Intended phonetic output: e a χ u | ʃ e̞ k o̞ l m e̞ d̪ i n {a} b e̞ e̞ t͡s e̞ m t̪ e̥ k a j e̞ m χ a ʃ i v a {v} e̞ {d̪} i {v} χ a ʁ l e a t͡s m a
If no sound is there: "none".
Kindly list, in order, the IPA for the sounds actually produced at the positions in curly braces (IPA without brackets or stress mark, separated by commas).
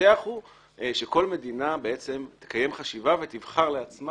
a, v, t̪, v